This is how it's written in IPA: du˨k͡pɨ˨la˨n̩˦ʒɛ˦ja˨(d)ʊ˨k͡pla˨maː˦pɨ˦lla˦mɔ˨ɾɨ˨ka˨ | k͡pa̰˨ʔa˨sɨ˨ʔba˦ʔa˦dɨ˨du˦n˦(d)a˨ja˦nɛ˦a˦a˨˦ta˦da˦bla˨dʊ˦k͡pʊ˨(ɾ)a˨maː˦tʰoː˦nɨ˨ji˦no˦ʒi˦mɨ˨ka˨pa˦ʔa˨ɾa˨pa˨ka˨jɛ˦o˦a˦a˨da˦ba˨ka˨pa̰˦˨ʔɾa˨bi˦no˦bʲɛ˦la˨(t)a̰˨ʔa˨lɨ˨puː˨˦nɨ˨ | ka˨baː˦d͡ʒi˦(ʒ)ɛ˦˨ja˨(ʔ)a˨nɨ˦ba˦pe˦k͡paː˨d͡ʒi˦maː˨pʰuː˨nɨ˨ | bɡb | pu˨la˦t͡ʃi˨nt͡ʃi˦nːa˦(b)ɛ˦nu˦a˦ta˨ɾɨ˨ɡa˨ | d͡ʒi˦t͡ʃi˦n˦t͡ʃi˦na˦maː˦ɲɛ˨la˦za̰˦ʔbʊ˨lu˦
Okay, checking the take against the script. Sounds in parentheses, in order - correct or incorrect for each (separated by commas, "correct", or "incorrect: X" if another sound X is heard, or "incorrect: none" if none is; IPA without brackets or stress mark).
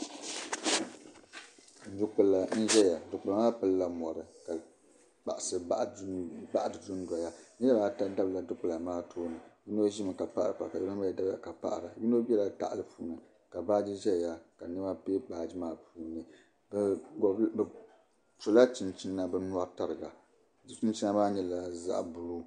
correct, correct, incorrect: l, correct, correct, incorrect: k, correct